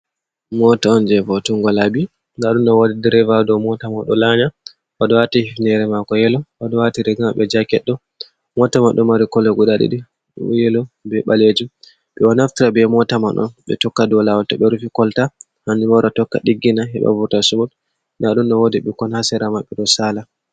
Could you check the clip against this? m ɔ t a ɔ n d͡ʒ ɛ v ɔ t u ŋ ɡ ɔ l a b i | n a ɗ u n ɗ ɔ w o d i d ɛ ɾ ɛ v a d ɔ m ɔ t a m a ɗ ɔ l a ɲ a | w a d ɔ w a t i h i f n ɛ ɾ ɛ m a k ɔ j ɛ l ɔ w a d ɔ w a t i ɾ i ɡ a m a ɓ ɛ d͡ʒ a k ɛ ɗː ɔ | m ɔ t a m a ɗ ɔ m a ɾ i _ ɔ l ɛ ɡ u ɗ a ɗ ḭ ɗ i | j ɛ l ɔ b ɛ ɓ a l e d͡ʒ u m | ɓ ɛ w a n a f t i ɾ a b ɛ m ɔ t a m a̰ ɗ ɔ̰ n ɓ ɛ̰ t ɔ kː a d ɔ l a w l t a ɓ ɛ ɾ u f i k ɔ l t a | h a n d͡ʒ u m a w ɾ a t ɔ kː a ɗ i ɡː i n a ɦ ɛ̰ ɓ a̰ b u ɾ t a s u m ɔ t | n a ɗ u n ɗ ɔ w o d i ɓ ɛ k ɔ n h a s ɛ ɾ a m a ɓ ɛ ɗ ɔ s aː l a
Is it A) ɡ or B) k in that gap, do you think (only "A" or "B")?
B